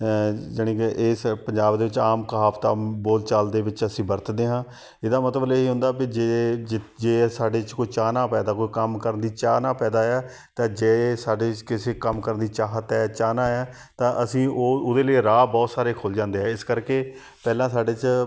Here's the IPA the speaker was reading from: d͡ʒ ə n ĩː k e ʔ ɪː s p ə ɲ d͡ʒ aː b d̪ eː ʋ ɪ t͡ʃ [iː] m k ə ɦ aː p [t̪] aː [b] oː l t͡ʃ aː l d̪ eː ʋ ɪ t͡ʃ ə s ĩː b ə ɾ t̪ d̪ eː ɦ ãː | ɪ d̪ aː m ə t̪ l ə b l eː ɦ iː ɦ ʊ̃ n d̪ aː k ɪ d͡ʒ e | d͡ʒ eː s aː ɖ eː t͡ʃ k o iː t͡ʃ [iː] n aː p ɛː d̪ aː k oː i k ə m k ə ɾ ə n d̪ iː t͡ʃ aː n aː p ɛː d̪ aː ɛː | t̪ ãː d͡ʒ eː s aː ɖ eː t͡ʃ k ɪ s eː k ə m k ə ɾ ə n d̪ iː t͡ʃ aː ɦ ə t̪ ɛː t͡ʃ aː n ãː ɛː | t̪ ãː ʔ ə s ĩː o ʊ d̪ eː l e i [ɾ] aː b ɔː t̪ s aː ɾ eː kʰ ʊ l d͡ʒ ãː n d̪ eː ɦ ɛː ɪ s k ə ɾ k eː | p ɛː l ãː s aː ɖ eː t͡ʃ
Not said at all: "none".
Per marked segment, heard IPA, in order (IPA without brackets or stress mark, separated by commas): aː, t̪, b, aː, ɾ